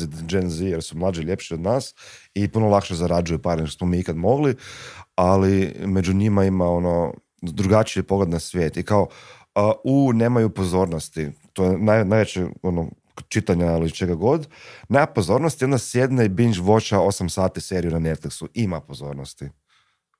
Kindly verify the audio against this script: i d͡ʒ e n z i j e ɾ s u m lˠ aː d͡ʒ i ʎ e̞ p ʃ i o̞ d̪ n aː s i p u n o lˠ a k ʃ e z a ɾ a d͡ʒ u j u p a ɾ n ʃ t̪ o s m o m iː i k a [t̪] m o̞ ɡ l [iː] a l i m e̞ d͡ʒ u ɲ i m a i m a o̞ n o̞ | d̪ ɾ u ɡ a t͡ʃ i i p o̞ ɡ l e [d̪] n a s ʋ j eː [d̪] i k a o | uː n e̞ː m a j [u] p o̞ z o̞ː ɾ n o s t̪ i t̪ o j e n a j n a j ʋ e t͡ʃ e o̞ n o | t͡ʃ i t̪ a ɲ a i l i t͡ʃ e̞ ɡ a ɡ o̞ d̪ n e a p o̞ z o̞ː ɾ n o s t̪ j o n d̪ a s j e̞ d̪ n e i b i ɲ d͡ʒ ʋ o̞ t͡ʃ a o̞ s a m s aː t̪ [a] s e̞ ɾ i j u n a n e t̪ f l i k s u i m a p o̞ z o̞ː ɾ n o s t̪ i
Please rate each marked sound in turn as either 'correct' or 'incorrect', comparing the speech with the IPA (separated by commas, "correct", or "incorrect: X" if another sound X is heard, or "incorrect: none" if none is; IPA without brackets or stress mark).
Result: incorrect: d̪, incorrect: i, correct, incorrect: t̪, correct, incorrect: i